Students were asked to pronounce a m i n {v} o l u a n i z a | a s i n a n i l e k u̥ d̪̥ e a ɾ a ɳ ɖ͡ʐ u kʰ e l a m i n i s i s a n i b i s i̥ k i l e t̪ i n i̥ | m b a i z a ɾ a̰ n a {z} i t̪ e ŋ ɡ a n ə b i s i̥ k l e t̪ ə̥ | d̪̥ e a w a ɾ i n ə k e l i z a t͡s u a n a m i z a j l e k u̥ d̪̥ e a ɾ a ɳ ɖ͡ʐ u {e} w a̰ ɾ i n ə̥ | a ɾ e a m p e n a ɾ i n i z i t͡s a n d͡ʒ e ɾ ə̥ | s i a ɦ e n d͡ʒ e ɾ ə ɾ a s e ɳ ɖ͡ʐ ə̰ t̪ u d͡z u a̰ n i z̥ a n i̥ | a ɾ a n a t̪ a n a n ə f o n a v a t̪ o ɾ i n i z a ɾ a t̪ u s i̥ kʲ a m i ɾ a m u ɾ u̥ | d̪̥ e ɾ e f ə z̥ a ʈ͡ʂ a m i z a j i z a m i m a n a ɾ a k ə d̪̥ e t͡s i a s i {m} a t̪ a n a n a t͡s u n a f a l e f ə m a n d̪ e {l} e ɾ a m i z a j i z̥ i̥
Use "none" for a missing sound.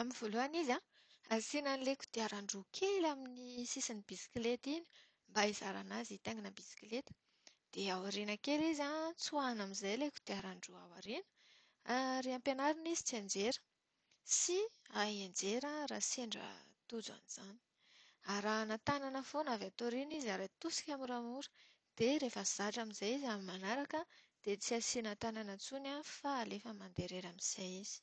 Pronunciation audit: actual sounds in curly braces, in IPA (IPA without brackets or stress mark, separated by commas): v, z, a, n, ɾ